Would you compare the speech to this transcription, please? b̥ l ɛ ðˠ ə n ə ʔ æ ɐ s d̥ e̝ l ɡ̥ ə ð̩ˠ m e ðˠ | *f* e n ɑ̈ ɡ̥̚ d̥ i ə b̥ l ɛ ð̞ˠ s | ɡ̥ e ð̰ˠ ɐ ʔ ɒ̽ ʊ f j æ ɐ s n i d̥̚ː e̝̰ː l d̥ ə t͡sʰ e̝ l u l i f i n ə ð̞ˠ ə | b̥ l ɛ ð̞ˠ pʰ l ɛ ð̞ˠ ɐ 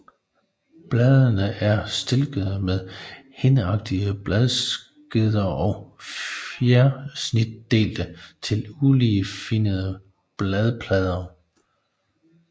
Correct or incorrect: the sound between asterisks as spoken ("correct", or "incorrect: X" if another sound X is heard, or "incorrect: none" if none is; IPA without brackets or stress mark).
incorrect: h